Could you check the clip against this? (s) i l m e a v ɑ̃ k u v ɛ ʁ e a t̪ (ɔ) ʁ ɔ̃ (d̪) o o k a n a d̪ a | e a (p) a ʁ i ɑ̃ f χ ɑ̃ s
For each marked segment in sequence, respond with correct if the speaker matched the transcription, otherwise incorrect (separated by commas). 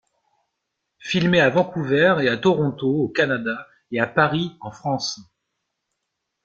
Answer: incorrect, correct, incorrect, correct